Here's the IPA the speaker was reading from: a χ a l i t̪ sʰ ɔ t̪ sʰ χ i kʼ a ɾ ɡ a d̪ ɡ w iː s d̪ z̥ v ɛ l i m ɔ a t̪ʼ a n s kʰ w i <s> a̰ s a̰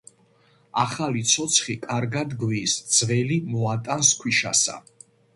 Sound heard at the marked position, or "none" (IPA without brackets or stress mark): ʃ